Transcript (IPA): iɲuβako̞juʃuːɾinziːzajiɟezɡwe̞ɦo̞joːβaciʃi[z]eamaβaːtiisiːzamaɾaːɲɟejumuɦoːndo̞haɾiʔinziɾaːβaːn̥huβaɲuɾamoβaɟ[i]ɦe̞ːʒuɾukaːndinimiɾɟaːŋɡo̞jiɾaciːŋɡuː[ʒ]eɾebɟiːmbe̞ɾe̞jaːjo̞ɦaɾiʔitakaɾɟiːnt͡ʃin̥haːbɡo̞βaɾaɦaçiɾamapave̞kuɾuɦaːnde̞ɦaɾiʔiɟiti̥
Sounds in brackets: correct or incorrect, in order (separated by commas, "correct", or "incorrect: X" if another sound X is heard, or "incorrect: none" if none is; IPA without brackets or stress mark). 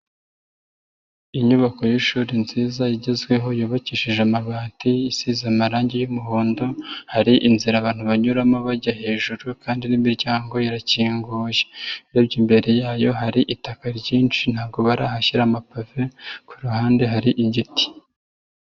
incorrect: ʒ, incorrect: a, correct